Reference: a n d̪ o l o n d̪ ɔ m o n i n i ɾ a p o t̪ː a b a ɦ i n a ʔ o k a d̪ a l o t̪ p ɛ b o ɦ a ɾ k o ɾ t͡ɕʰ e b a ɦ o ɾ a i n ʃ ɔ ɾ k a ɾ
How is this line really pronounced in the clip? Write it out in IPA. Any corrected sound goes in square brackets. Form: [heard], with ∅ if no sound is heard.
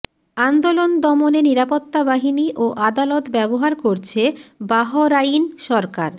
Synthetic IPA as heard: a n d̪ o l o n d̪ ɔ m o n [e] n i ɾ a p o t̪ː a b a ɦ i n [i] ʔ o [ʔ] a d̪ a l o t̪ [b] ɛ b o ɦ a ɾ k o ɾ t͡ɕʰ e b a ɦ o ɾ a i n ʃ ɔ ɾ k a ɾ